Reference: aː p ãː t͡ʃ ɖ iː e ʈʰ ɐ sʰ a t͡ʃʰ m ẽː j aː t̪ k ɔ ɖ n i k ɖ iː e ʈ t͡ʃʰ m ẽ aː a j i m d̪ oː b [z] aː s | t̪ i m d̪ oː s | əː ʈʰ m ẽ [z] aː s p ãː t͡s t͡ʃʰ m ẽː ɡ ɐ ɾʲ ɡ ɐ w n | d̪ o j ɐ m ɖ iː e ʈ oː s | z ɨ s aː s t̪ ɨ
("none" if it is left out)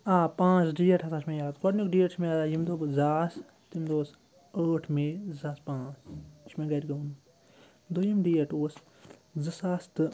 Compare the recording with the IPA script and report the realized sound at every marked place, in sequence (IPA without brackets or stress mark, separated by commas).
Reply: z, z